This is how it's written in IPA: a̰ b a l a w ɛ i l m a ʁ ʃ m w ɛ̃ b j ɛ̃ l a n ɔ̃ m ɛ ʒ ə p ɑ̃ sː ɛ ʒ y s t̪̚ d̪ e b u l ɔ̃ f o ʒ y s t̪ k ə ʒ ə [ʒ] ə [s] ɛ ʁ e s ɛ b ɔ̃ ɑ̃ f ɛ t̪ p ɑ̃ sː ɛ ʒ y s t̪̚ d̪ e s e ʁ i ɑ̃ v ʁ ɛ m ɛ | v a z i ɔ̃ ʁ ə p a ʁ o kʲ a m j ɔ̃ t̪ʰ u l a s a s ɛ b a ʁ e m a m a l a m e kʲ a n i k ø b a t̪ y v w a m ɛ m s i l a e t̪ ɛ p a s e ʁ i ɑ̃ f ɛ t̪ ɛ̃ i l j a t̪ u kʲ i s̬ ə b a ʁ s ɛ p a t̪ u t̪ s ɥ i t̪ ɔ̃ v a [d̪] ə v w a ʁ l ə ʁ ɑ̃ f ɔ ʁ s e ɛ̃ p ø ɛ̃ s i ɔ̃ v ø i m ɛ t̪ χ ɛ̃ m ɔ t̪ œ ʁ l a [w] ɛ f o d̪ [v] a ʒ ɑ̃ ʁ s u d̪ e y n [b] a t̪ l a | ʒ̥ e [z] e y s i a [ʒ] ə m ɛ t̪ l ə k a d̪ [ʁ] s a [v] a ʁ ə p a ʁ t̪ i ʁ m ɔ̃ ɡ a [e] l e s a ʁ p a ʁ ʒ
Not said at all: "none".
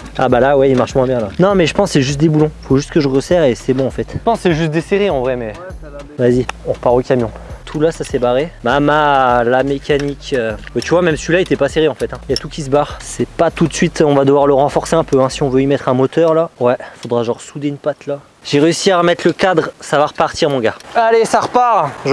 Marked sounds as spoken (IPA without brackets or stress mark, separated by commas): ʁ, s, d̪, w, ʁ, p, ʁ, ʁ, ʁ, v, a